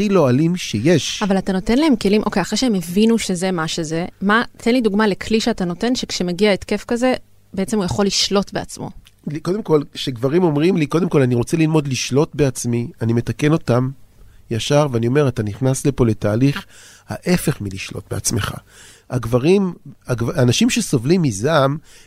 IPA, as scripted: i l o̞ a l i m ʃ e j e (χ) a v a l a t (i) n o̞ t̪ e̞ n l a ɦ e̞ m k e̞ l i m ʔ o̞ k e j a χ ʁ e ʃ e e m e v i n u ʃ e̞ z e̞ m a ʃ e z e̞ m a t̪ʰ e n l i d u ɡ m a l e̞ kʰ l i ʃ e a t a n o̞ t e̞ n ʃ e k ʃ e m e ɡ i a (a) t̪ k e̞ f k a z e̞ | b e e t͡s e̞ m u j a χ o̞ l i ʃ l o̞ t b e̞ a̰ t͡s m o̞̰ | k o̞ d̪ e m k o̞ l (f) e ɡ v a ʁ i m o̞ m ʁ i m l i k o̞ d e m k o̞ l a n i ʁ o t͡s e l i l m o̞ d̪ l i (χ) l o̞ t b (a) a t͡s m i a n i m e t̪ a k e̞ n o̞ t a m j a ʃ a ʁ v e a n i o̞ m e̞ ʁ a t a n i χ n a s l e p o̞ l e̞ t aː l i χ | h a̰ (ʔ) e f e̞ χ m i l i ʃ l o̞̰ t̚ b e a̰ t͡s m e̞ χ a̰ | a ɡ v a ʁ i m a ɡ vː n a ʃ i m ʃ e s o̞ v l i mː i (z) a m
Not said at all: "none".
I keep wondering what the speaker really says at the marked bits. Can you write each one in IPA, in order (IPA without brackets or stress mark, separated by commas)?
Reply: ʃ, a, e, ʃ, ʃ, e, ʔ, z